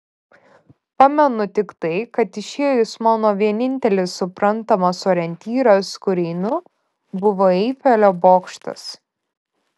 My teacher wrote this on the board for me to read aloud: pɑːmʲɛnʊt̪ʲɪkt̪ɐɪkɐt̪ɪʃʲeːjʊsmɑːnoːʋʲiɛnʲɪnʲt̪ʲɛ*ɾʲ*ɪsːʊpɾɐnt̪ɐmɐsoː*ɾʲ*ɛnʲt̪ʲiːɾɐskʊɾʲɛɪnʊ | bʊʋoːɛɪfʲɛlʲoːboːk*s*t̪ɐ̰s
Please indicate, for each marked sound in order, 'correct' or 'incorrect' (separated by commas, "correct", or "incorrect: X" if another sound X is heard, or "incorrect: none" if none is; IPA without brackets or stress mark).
incorrect: lʲ, correct, incorrect: ʃ